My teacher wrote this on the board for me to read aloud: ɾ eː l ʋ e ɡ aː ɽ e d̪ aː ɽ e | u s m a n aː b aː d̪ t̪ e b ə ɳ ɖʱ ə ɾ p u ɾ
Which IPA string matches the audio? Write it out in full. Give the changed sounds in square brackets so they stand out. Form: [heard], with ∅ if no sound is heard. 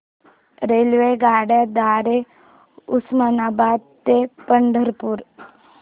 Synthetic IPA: ɾ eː l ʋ e ɡ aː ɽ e d̪ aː [ɾ] e | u s m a n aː b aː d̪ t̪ e [p] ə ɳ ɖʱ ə ɾ p u ɾ